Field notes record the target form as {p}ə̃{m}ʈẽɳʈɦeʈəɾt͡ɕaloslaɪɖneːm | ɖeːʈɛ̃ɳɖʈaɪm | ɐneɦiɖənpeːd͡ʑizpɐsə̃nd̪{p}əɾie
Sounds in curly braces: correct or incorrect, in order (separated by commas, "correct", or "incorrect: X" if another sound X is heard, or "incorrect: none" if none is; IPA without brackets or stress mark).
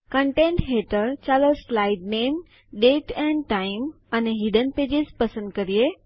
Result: incorrect: k, incorrect: ɳ, incorrect: k